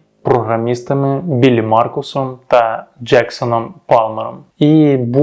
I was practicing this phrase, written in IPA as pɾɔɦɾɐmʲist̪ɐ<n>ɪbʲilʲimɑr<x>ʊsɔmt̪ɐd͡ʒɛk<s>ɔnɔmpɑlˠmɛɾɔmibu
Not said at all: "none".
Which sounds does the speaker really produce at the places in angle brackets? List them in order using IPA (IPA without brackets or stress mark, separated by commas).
m, k, s